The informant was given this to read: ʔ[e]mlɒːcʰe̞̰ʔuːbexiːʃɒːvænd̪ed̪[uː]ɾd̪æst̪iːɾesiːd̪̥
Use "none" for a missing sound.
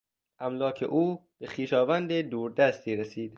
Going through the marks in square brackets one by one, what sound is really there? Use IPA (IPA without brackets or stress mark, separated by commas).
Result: æ, uː